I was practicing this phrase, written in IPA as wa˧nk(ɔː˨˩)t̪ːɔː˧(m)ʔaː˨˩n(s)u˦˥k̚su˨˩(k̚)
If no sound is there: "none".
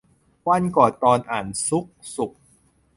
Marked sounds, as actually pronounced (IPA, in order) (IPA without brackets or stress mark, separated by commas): ɔː˨˩, n, s, k̚